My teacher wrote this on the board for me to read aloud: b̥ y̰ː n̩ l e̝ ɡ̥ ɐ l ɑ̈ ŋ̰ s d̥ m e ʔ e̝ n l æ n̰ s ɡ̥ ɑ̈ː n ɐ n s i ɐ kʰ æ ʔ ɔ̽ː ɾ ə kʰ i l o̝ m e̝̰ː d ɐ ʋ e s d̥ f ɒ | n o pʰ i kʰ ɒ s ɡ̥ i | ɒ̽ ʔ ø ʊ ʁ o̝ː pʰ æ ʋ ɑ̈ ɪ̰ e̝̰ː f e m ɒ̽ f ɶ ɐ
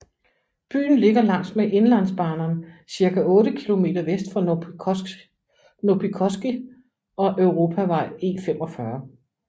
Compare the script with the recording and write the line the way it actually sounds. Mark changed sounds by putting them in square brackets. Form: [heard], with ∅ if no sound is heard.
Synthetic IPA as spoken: b̥ y̰ː n̩ l e̝ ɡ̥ ɐ l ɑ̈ ŋ̰ s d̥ m e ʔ e̝ n l æ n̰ s [b̥] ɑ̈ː n ɐ n s i ɐ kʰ æ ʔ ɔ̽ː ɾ ə kʰ i l o̝ m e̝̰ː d ɐ ʋ e s d̥ f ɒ | n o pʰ i kʰ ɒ s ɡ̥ i | ɒ̽ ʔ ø ʊ ʁ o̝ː pʰ æ ʋ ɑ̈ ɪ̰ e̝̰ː f e m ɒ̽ f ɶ ɐ